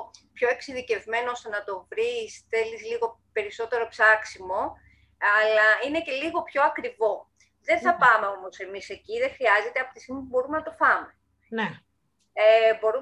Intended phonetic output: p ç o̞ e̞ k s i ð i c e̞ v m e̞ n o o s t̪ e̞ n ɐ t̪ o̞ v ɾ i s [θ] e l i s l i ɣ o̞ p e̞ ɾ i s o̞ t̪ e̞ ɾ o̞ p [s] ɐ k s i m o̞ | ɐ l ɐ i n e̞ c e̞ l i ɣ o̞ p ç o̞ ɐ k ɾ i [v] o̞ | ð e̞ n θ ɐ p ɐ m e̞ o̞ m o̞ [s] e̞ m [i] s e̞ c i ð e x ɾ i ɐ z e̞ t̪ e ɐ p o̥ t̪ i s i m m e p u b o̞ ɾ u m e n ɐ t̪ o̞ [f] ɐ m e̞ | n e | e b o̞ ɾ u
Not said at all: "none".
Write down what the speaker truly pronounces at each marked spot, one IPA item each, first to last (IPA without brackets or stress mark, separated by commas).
θ, s, v, s, i, f